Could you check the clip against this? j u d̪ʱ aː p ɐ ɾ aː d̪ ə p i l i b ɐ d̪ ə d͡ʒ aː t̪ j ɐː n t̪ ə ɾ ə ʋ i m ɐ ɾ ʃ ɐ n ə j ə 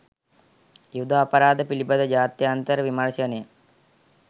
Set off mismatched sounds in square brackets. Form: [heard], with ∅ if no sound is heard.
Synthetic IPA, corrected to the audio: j u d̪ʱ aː p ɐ ɾ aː d̪ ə p i l i b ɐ d̪ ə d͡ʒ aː t̪ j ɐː n t̪ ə ɾ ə ʋ i m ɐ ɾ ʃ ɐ n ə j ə